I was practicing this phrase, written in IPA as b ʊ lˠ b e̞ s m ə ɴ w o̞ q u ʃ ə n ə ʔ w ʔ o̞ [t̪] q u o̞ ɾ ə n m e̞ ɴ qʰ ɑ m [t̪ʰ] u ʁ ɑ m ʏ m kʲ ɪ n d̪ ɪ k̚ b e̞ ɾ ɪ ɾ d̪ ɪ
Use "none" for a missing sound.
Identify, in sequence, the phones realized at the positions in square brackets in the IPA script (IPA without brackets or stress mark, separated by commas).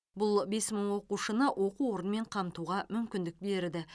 none, t̪